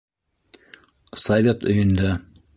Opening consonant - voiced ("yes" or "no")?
no